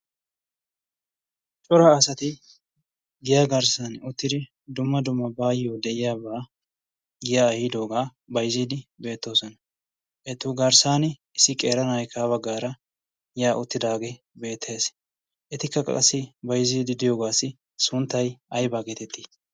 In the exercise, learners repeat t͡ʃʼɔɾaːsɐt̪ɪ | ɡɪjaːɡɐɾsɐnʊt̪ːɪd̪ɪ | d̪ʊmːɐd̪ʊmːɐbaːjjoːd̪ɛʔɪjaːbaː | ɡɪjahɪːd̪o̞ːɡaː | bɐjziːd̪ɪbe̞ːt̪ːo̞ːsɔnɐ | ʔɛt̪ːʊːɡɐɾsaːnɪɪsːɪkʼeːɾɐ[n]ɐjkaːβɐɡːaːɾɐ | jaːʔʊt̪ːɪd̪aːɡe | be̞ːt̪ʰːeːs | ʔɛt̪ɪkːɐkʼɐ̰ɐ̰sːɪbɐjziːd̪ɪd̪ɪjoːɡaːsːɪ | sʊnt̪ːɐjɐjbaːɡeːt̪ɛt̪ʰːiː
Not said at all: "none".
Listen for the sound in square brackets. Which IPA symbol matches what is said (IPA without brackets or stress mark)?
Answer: n